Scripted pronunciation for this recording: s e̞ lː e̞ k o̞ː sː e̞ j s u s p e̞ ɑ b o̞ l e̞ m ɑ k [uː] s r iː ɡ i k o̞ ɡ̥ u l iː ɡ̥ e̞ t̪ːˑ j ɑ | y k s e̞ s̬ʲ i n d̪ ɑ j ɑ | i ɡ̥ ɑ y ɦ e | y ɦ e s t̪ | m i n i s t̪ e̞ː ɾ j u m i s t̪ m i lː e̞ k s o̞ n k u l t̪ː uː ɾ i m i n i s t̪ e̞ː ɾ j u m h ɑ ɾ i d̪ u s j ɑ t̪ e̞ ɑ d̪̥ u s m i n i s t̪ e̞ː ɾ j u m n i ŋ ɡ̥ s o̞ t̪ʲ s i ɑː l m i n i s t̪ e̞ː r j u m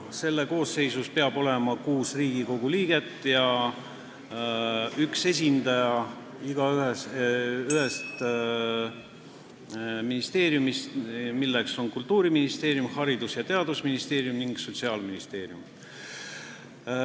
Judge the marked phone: correct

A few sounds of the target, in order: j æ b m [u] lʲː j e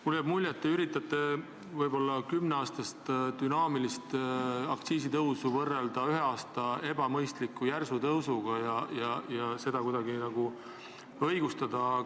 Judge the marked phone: correct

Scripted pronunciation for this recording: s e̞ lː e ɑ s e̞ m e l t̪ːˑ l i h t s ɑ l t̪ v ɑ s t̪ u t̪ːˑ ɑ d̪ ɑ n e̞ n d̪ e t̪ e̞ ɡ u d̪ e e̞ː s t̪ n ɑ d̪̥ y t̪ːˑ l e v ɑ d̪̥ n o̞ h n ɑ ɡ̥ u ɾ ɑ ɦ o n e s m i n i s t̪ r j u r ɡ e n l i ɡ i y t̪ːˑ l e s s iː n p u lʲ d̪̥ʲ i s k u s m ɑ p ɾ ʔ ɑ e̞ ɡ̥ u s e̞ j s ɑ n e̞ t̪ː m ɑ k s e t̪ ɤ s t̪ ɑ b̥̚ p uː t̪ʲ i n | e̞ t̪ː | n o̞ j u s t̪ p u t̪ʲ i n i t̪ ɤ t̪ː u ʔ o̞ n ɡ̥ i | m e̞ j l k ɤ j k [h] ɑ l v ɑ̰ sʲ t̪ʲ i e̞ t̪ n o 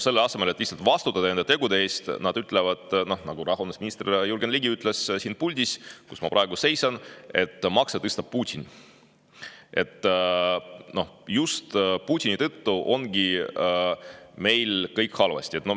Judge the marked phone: correct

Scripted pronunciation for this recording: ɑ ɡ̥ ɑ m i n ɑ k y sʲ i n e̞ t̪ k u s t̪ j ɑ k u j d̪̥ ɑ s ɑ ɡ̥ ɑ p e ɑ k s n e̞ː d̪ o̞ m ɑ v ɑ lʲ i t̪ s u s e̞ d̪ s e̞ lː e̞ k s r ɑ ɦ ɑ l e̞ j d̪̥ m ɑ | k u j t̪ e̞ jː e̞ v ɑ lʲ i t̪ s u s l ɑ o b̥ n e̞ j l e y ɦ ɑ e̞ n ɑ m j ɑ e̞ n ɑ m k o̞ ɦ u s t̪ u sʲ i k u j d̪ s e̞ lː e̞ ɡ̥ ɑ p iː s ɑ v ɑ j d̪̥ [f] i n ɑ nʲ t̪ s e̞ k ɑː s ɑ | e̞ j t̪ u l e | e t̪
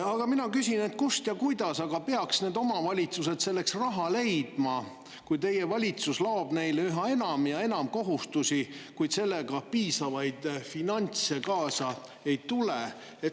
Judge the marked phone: correct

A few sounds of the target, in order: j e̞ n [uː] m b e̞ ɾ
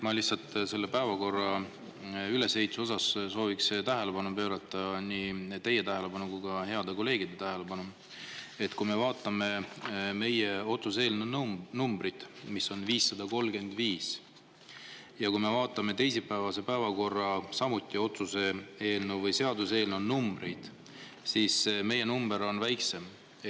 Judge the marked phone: incorrect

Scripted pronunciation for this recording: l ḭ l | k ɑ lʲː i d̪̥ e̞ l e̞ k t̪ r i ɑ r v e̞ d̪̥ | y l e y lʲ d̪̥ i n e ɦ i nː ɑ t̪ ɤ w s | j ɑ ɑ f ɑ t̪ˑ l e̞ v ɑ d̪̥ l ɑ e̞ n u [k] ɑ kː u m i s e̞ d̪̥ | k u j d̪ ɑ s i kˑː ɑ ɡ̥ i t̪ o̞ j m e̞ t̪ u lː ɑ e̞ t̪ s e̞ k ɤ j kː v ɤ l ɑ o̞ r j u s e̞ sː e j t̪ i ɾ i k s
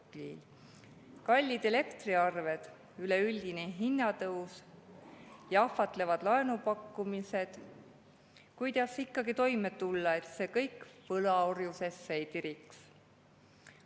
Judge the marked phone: incorrect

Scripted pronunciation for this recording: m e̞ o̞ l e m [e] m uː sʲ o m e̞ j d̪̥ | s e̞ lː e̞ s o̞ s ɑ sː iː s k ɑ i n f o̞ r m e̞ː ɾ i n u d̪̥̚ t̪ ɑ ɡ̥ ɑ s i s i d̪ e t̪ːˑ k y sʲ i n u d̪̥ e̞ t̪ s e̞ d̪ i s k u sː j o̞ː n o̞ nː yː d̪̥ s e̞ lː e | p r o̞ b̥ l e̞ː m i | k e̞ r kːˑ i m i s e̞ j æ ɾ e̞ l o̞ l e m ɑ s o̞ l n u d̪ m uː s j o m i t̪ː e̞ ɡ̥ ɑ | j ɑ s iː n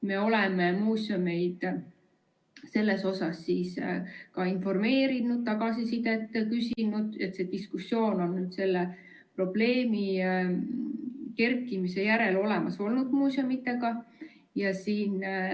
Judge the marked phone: correct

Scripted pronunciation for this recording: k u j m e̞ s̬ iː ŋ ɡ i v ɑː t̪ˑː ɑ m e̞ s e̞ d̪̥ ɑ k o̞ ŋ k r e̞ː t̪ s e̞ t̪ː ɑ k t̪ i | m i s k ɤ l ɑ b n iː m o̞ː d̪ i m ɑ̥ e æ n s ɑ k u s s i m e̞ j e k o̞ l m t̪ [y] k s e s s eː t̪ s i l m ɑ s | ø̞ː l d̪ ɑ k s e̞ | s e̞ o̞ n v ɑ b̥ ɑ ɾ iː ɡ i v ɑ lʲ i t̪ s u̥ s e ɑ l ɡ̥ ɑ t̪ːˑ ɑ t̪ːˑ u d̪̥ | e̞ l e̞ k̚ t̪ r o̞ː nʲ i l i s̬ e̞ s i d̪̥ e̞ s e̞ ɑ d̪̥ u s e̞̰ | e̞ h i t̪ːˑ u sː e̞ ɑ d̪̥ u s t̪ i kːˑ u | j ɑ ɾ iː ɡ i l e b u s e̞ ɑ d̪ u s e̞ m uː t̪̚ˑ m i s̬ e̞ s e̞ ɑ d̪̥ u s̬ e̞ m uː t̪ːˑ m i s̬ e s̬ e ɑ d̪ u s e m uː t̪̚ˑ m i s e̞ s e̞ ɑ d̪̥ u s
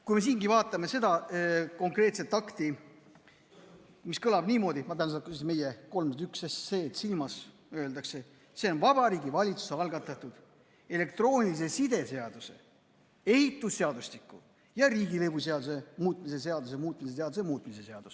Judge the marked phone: correct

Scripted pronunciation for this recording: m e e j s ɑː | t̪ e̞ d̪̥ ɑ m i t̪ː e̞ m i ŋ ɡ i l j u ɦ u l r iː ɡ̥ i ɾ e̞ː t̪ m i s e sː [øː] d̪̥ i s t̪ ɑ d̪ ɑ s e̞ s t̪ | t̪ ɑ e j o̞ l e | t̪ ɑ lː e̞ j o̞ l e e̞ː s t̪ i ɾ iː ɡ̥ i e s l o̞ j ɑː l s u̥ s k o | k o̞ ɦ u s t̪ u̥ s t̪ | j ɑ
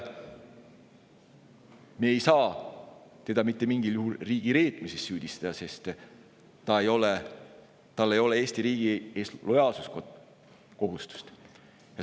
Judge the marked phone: incorrect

